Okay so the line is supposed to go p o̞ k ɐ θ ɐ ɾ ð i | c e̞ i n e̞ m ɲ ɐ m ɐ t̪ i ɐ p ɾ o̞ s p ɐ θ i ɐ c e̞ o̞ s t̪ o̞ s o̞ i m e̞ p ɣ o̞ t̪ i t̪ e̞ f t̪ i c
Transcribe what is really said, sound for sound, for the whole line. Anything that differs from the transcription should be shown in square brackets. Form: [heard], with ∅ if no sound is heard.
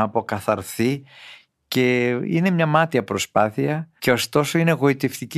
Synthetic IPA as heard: p o̞ k ɐ θ ɐ ɾ [θ] i | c e̞ i n e̞ m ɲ ɐ m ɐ t̪ i ɐ p ɾ o̞ s p ɐ θ i ɐ c e̞ o̞ s t̪ o̞ s o̞ i [n] e̞ [∅] ɣ o̞ [∅] i t̪ e̞ f t̪ i c